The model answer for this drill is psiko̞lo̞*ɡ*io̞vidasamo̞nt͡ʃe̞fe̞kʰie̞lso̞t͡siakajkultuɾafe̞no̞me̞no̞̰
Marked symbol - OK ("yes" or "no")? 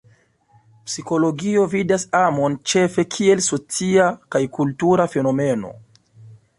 yes